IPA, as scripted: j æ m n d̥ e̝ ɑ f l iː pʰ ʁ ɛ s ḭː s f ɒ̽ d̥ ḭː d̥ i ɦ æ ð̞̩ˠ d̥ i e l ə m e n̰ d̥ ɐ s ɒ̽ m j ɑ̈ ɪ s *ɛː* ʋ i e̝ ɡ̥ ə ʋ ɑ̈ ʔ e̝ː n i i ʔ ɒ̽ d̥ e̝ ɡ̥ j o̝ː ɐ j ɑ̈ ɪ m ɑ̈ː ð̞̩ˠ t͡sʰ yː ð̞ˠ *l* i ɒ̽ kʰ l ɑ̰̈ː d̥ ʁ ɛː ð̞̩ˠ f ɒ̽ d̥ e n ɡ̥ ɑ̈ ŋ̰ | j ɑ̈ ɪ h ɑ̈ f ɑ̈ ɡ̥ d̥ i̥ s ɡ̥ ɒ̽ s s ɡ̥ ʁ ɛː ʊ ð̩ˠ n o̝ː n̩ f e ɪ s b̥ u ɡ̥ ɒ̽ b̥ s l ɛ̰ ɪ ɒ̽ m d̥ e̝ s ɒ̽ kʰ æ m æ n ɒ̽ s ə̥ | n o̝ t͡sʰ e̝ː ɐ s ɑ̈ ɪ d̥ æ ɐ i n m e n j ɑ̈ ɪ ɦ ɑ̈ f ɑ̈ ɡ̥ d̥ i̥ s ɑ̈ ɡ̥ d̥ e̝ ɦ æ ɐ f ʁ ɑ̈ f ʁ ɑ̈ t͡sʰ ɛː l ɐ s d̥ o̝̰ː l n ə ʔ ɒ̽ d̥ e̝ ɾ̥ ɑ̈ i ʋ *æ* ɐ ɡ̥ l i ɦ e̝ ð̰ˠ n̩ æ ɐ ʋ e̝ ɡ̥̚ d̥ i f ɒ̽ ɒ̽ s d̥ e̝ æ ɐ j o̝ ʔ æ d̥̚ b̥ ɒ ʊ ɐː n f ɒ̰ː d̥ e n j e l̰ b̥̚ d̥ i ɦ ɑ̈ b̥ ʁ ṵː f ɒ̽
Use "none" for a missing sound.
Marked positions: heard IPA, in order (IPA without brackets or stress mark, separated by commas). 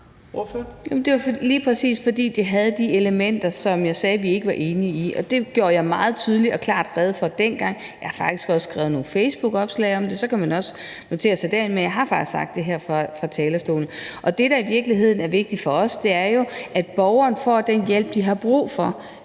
ɛː, l, i